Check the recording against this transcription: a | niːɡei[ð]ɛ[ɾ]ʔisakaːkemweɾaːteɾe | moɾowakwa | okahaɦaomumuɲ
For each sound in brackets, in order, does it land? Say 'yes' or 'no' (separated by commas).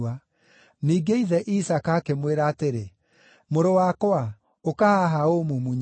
yes, no